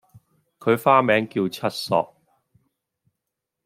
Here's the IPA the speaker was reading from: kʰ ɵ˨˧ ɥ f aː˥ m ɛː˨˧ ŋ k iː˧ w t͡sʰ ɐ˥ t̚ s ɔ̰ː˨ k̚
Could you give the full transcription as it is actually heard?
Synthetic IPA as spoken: kʰ ɵ˨˧ ɥ f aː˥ m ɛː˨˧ ŋ k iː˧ w t͡sʰ ɐ˥ t̚ s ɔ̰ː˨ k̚